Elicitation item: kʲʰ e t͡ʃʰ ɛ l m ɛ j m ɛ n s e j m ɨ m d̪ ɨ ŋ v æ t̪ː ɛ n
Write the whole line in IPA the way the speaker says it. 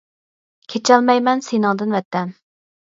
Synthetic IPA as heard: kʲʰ e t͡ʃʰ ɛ l m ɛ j m ɛ n s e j n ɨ ŋ d̪ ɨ n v ɛ t̪ː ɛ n